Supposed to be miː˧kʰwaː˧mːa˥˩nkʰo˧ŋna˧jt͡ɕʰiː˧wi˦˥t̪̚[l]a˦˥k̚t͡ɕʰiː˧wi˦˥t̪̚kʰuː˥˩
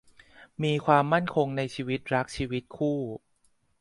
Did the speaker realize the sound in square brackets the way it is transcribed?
no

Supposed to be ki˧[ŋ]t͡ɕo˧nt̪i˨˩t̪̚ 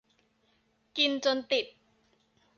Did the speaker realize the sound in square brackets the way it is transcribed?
no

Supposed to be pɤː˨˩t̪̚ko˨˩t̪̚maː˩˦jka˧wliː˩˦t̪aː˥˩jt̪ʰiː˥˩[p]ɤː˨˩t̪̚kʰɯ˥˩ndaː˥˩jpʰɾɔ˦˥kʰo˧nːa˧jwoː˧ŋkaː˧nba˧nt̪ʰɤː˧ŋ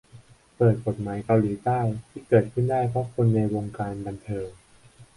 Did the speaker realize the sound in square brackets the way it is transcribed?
no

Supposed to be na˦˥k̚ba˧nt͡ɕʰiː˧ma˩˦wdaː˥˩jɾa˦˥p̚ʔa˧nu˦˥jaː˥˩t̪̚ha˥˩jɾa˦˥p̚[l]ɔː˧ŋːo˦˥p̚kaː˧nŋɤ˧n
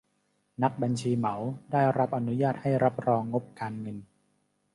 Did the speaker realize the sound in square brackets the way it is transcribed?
no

